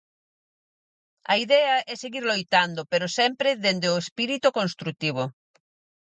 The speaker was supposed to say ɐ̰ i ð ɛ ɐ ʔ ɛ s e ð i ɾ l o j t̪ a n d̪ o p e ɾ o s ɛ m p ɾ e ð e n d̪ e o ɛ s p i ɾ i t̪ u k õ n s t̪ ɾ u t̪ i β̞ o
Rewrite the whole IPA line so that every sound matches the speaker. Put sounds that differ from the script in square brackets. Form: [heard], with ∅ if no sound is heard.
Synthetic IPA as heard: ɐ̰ i ð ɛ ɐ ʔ ɛ s e [ɣ] i ɾ l o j t̪ a n d̪ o p e ɾ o s ɛ m p ɾ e ð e n d̪ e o [e] s p i ɾ i t̪ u k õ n s t̪ ɾ u t̪ i β̞ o